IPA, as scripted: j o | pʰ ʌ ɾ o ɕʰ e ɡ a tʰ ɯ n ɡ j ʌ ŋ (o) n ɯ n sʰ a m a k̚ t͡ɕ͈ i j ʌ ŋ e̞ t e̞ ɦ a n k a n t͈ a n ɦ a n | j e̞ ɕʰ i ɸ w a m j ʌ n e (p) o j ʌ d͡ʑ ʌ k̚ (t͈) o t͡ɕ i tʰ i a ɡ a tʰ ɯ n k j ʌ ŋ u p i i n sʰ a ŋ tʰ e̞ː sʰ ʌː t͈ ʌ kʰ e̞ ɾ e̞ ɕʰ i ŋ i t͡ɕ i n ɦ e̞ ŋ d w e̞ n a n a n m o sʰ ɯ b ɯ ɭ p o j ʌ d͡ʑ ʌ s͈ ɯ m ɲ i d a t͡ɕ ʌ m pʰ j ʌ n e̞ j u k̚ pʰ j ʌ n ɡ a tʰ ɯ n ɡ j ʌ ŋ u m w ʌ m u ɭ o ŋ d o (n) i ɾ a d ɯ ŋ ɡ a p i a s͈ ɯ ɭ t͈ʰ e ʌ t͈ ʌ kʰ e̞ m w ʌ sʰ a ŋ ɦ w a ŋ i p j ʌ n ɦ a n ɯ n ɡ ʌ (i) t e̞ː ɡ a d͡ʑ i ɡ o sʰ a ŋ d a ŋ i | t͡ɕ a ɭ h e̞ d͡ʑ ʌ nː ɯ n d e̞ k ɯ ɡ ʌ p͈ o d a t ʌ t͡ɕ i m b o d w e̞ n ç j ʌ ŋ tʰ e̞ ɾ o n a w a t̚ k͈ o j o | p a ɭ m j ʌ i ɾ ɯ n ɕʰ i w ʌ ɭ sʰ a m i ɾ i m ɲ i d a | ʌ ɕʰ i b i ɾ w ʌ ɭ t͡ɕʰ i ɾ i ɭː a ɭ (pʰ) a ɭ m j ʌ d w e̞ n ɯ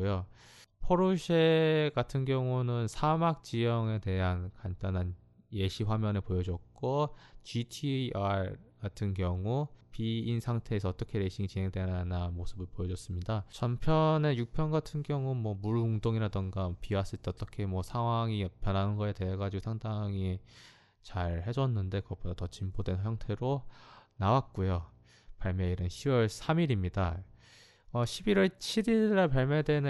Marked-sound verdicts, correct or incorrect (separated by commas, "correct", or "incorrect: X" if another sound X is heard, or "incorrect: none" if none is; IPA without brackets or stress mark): incorrect: u, correct, incorrect: k͈, incorrect: ŋ, incorrect: e, incorrect: p